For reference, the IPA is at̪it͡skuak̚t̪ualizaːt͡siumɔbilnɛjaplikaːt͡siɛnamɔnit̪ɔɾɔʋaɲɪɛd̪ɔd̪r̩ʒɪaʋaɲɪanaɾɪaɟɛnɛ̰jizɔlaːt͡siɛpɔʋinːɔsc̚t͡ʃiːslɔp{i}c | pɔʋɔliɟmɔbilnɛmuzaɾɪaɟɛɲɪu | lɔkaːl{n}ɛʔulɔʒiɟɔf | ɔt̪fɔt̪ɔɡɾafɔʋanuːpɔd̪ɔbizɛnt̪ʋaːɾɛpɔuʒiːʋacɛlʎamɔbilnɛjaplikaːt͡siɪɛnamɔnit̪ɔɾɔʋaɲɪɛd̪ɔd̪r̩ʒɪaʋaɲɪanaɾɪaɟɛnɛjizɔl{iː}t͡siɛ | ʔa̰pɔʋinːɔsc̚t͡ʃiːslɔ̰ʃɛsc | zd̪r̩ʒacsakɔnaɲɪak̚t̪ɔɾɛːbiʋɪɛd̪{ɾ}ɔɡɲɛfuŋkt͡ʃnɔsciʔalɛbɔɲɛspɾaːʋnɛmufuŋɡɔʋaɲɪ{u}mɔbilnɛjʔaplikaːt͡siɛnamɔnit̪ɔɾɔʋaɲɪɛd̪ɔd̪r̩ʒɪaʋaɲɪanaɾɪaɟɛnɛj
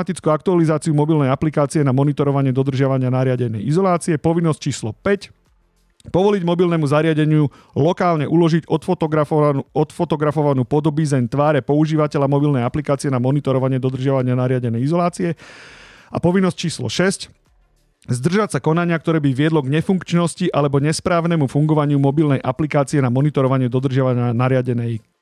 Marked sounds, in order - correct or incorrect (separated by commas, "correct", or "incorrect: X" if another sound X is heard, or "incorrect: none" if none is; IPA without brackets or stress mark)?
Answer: incorrect: ɛ, incorrect: ɲ, incorrect: aː, incorrect: l, correct